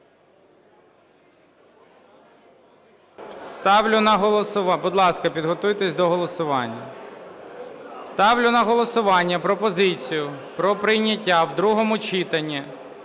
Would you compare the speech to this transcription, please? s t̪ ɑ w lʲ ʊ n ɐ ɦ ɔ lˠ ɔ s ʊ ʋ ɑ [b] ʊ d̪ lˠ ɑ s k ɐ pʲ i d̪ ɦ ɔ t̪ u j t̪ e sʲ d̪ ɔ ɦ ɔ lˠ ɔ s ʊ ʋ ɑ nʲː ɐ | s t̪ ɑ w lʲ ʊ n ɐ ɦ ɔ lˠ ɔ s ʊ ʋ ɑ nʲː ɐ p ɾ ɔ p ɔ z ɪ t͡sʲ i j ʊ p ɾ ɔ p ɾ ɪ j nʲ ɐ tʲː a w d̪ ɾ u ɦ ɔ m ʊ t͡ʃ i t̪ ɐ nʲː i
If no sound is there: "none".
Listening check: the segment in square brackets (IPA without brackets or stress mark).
b